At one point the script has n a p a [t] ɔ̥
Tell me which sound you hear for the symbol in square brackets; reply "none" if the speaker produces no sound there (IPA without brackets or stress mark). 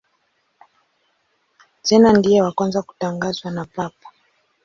p